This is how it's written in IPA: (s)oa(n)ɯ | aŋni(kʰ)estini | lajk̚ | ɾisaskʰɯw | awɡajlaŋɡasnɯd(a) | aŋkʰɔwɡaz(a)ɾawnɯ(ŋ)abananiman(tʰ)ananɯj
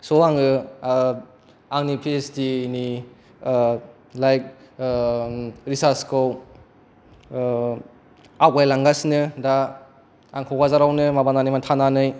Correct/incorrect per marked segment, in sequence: correct, incorrect, incorrect, correct, correct, incorrect, correct

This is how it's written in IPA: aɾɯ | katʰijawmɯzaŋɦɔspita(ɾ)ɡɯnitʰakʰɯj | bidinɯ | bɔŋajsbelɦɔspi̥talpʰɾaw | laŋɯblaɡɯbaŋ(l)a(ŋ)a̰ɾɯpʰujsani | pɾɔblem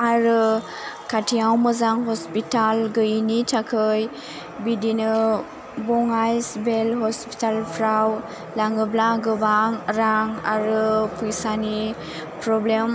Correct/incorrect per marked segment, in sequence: incorrect, incorrect, correct

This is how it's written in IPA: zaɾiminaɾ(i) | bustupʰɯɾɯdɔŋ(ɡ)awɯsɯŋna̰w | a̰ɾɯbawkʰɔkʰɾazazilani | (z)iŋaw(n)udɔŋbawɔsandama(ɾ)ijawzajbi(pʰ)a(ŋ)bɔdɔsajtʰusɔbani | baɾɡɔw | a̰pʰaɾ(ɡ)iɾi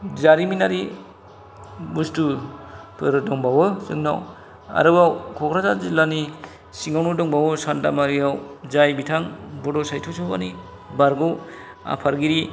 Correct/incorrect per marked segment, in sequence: correct, incorrect, incorrect, correct, correct, incorrect, correct, correct

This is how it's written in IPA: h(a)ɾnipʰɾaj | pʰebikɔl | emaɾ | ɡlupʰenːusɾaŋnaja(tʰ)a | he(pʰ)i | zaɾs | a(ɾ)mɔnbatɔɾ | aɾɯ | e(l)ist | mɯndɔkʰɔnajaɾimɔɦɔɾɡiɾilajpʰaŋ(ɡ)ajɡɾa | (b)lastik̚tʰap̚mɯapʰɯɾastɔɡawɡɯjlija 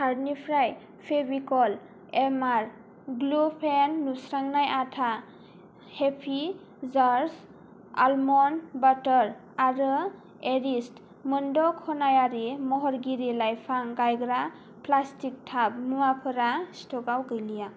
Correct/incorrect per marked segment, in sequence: correct, correct, correct, incorrect, incorrect, correct, incorrect

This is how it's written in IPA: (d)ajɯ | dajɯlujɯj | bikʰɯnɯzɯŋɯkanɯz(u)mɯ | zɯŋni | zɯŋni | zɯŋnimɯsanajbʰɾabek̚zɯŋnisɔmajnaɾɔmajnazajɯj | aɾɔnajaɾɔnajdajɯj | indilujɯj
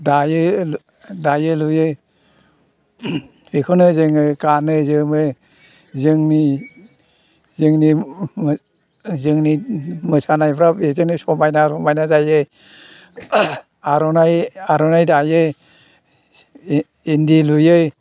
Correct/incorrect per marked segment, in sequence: correct, incorrect

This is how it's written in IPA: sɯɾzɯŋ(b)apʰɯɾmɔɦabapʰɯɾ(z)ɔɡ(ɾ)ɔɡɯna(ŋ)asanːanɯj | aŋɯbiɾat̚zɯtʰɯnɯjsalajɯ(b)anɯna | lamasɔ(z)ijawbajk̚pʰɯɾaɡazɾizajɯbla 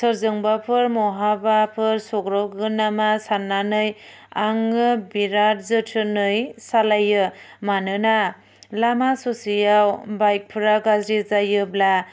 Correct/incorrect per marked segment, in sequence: correct, incorrect, correct, incorrect, incorrect, incorrect

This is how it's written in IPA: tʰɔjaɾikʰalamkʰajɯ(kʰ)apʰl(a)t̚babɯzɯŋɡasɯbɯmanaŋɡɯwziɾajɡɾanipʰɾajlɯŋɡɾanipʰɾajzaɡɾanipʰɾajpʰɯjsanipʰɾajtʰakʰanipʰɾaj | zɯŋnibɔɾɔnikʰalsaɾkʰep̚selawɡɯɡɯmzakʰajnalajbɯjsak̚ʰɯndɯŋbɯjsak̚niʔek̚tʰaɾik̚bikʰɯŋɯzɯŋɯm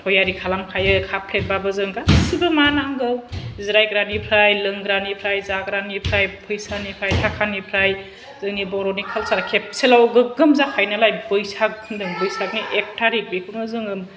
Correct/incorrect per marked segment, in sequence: correct, incorrect

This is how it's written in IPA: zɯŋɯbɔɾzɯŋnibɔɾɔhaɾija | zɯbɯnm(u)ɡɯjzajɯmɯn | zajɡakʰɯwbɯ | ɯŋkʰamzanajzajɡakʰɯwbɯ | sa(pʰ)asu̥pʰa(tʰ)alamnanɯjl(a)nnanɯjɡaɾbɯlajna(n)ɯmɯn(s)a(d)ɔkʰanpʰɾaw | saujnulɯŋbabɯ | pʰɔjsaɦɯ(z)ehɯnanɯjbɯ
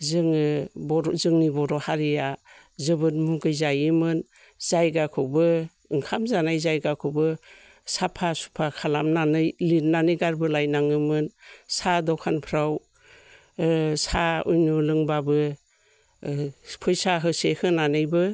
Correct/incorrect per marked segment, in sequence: correct, correct, incorrect, incorrect, incorrect, correct, correct, incorrect

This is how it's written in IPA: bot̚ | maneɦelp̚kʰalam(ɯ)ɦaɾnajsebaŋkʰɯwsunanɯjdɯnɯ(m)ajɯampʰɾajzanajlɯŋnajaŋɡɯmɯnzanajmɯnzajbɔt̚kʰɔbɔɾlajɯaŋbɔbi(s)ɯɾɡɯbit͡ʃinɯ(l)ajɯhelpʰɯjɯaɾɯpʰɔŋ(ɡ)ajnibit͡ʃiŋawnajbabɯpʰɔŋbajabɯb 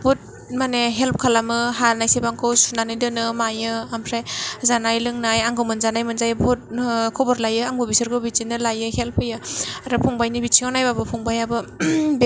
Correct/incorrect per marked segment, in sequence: correct, correct, correct, correct, incorrect

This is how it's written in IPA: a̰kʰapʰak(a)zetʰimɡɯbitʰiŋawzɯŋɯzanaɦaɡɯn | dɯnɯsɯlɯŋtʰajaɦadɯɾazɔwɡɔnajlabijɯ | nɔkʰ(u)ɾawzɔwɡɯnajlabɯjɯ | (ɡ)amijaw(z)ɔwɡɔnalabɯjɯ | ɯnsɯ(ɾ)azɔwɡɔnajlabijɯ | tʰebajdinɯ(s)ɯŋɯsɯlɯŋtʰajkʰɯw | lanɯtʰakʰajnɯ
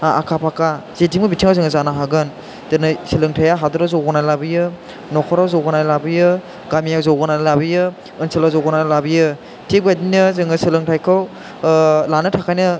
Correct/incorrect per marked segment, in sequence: correct, incorrect, correct, correct, incorrect, incorrect

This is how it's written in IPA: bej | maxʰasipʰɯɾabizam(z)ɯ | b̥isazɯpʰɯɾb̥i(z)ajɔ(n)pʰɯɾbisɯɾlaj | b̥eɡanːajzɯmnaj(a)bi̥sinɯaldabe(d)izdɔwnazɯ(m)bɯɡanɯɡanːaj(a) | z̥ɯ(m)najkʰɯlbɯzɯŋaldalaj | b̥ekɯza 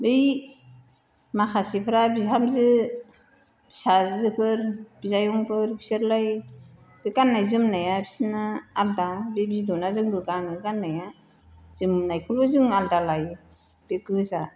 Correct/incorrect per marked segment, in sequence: correct, correct, incorrect, correct, incorrect, incorrect, correct, correct

